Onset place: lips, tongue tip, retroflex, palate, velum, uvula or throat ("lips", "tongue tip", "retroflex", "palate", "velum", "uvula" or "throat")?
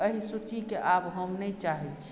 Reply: throat